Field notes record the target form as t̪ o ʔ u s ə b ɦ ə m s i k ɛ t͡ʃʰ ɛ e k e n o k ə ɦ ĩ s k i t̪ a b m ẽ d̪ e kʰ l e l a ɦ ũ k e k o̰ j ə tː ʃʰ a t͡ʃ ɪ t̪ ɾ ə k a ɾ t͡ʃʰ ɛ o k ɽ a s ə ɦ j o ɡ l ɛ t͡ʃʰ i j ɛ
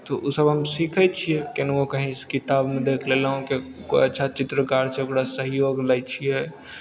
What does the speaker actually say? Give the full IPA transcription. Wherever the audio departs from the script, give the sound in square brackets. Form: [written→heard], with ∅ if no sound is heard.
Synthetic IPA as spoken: t̪ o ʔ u s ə b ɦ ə m s i [k→kʰ] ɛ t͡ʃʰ [ɛ→i] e k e n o k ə ɦ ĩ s k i t̪ a b m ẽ d̪ e kʰ l e l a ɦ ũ k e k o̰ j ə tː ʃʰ a t͡ʃ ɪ t̪ ɾ ə k a ɾ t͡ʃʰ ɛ o k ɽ a s ə ɦ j o ɡ l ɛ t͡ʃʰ i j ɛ